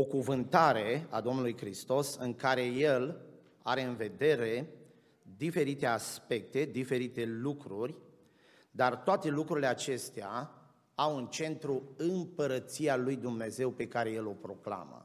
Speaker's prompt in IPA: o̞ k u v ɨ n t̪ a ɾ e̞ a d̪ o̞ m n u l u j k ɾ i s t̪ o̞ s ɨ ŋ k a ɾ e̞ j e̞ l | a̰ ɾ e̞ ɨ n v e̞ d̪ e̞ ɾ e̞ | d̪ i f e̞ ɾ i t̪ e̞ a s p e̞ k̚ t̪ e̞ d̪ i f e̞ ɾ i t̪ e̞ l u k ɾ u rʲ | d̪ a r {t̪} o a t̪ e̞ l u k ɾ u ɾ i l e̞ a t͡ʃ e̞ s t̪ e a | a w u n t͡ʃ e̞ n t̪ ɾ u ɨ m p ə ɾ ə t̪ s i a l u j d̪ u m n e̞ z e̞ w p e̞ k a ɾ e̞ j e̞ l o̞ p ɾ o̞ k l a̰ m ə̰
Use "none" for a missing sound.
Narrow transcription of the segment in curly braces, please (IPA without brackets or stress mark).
t̪